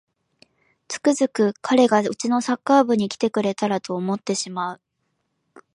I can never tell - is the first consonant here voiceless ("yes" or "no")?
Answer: yes